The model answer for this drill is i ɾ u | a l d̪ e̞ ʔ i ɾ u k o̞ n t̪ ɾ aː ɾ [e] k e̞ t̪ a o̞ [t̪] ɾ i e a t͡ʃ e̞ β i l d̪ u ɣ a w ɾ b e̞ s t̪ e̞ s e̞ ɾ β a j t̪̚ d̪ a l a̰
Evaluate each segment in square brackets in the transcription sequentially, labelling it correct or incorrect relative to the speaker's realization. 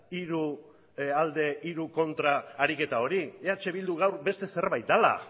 incorrect, incorrect

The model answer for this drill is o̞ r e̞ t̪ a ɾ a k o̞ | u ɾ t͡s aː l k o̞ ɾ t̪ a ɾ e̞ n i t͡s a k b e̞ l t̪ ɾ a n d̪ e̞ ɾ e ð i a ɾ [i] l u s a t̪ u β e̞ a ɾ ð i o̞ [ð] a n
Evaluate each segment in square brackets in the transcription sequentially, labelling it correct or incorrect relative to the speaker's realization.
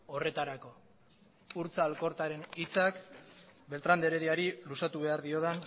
correct, correct

